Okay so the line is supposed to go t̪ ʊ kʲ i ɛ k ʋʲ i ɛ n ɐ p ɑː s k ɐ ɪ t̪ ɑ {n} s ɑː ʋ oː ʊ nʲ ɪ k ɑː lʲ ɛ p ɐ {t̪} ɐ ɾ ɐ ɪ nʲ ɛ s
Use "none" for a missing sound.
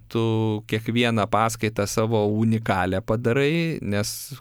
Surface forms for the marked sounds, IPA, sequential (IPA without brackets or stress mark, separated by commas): none, d̪